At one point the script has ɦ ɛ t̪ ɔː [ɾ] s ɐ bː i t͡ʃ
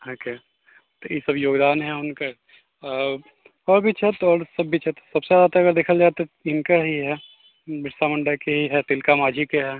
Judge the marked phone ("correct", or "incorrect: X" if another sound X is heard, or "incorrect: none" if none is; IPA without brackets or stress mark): correct